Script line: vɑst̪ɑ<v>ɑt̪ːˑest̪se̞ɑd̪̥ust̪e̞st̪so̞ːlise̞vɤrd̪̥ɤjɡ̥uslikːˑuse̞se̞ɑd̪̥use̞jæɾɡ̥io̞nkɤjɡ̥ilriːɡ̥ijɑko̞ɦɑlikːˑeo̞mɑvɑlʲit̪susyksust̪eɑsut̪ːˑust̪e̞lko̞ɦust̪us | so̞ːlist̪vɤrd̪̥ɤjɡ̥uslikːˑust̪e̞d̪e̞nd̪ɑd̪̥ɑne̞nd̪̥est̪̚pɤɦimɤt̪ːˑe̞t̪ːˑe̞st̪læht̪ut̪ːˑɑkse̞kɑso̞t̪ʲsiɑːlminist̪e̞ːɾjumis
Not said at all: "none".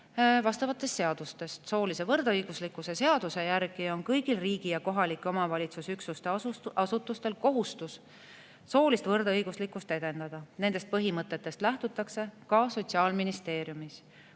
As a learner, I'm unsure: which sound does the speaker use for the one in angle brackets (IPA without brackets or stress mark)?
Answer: v